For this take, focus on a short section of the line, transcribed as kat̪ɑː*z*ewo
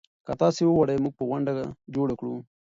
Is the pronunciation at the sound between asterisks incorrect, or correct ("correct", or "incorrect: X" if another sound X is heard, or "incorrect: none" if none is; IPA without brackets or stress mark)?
incorrect: s